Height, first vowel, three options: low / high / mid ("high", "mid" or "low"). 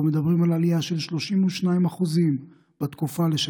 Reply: mid